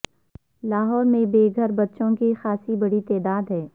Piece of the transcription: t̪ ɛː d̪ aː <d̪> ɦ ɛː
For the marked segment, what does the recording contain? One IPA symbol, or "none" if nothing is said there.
d̪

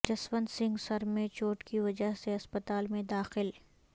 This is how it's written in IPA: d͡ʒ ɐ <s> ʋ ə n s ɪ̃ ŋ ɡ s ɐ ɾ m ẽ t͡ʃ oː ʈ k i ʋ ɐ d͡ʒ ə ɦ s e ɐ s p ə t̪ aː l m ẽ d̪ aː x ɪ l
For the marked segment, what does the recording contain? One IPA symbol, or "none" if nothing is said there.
s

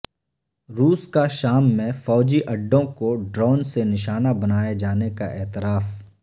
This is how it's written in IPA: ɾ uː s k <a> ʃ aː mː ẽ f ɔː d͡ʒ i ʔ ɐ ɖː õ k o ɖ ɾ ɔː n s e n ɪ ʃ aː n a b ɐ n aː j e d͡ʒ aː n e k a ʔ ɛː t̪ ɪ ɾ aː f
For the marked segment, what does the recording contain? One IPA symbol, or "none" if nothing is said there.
a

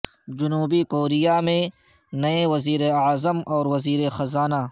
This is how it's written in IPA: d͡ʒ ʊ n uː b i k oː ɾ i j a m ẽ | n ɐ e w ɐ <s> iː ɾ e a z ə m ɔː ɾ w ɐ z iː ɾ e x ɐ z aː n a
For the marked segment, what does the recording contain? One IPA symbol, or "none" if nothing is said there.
z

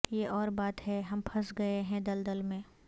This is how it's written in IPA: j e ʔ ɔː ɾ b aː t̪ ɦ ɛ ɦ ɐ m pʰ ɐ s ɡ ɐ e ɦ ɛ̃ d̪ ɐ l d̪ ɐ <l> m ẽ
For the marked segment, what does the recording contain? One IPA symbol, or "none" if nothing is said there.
l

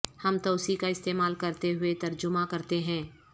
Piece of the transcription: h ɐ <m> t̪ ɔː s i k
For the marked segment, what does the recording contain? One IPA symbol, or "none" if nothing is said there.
m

